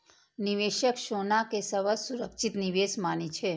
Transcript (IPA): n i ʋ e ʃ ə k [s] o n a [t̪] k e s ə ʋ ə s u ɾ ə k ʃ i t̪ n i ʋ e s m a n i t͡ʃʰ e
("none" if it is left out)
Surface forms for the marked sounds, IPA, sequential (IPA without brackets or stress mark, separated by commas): ʃ, none